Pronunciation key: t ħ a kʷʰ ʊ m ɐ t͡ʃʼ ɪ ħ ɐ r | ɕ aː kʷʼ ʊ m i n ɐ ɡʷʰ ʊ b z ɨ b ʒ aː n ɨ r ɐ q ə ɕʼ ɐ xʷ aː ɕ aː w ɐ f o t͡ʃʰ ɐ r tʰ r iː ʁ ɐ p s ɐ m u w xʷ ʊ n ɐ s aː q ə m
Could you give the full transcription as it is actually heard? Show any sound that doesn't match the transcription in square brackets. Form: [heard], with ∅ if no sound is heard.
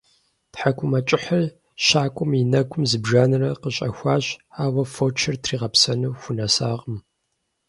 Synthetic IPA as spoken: t ħ a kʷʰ ʊ m ɐ t͡ʃʼ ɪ ħ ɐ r | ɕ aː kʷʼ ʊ m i n ɐ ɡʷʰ ʊ [m] z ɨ b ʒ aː n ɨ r ɐ q ə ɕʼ ɐ xʷ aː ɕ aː w ɐ f o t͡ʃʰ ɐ r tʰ r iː ʁ ɐ p s ɐ [n] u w xʷ ʊ n ɐ s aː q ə m